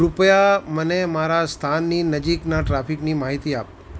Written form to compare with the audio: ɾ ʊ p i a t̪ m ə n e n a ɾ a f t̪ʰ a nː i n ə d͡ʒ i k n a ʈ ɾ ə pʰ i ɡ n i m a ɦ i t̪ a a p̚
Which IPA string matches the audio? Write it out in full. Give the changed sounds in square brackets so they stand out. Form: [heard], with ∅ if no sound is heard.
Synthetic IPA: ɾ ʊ p [j] a [∅] m ə n e [m] a ɾ a [s] t̪ʰ a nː i n ə d͡ʒ i k n a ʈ ɾ [a] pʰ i [k] n i m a ɦ i t̪ [i] a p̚